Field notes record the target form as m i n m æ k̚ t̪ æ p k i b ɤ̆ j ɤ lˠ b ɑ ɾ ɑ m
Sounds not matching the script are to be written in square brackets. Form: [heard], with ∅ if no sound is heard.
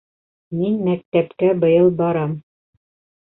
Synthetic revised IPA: m i n m æ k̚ t̪ æ p k [æ] b ɤ̆ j ɤ lˠ b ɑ ɾ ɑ m